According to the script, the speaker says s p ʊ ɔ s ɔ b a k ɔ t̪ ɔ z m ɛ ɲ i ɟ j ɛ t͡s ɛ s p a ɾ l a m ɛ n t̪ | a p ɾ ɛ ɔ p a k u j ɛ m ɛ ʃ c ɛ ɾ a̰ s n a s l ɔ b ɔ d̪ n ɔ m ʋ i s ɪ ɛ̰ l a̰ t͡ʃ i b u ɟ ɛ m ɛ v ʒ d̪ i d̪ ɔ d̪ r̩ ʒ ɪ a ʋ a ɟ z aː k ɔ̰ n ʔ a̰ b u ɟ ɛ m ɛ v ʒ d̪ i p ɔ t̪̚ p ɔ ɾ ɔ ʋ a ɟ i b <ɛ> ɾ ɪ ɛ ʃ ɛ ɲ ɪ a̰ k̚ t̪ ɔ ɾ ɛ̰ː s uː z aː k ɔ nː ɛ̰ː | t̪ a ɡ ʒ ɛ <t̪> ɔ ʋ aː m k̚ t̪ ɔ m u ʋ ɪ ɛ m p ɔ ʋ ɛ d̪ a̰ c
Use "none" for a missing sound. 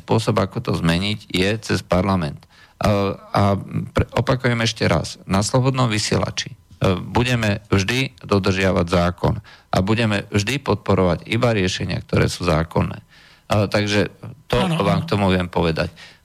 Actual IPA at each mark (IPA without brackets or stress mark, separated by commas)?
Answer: a, t̪